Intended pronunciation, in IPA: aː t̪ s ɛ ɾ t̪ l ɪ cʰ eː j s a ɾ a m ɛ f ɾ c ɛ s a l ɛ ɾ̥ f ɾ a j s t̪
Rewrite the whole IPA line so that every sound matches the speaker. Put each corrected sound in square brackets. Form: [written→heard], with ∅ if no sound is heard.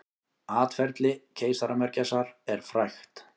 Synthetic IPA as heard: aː t̪ [s→f] ɛ ɾ t̪ l ɪ cʰ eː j s a ɾ a m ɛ [f→∅] ɾ c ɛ s a [l→ɾ] ɛ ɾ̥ f ɾ a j [s→x] t̪